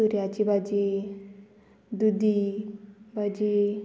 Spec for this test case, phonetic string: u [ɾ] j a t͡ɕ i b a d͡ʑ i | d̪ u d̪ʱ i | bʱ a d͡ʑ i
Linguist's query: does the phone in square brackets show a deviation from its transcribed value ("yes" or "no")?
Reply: no